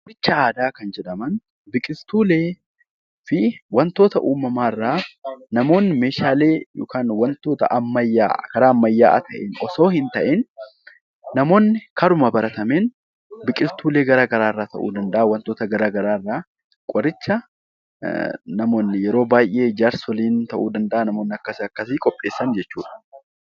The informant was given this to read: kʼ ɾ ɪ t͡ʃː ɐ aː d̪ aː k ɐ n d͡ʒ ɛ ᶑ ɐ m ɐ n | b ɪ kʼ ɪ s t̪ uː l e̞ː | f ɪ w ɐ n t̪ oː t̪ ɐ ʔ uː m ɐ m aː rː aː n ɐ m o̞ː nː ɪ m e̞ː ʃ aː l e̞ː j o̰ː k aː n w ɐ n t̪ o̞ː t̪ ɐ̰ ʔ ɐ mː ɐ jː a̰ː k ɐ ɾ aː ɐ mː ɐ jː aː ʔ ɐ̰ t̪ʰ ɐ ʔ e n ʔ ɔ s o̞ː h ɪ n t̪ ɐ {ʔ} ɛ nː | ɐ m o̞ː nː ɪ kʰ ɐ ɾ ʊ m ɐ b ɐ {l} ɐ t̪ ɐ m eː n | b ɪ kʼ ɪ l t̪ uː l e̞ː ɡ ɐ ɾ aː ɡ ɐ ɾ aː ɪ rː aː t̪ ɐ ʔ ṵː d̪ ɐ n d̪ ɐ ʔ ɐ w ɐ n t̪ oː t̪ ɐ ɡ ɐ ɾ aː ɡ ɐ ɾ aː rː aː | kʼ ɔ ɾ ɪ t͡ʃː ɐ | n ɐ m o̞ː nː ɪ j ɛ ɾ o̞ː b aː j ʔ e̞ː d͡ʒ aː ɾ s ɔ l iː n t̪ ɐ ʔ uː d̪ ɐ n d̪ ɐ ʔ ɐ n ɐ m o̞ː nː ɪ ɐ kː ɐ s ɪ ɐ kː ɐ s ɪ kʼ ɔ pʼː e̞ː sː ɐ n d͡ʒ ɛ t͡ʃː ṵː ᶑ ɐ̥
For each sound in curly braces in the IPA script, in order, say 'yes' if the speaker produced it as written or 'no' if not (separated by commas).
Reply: yes, no